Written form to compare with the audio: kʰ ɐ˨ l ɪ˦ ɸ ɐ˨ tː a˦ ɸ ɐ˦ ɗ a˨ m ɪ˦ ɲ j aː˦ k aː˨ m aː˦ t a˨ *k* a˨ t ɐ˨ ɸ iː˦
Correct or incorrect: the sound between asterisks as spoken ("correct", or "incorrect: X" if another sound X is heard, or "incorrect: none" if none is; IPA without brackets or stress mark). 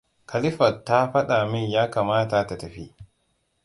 incorrect: t